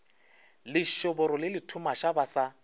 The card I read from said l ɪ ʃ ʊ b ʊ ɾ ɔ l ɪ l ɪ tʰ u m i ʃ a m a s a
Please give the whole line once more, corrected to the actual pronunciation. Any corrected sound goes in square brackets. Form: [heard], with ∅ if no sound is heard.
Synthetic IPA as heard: l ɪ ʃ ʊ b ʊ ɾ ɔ l ɪ l ɪ tʰ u m [a] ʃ a [b] a s a